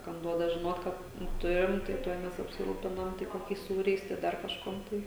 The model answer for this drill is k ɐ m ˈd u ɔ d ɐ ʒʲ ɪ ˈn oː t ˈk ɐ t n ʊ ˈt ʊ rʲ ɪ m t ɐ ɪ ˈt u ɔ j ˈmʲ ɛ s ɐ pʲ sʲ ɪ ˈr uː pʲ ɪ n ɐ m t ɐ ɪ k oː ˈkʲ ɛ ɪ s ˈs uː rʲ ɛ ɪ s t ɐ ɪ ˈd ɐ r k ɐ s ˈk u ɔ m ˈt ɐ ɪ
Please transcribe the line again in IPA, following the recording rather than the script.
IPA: k ɐ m ˈd u ɔ d ɐ ʒʲ ɪ ˈn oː t ˈk ɐ t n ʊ ˈt ʊ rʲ ɪ m t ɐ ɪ ˈt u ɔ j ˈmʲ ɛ s ɐ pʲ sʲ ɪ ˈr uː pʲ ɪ n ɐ m t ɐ ɪ k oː ˈkʲ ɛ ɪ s ˈs uː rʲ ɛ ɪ s t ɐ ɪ ˈd ɐ r k ɐ ʃ ˈk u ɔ m ˈt ɐ ɪ